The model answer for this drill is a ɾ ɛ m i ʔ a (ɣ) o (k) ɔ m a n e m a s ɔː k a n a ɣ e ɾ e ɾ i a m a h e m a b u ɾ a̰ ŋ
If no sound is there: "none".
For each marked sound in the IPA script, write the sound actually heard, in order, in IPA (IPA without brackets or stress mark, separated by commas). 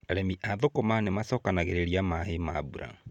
ð, k